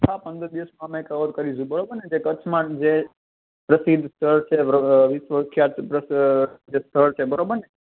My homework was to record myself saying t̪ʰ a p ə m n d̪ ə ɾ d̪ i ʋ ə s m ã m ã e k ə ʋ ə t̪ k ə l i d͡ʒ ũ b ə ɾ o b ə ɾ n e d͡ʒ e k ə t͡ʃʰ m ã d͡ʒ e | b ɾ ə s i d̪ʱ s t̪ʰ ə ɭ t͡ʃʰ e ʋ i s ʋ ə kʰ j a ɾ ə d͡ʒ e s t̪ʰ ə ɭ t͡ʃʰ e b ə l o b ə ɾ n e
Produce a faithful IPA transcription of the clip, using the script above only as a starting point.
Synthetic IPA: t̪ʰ a p ə n d̪ ə ɾ d̪ i ʋ ə s m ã m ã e k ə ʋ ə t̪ k ə ɾ i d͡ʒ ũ b ə ɾ o b ə ɾ n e d͡ʒ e k ə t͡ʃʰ m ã d͡ʒ e | p ɾ ə s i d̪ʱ s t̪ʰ ə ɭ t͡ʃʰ e ʋ i s ʋ ə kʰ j a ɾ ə d͡ʒ e s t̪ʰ ə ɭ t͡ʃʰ e b ə ɾ o b ə ɾ n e